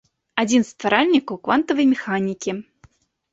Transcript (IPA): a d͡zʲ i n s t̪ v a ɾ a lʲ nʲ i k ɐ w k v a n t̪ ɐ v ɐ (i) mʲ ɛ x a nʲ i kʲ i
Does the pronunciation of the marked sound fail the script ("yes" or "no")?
yes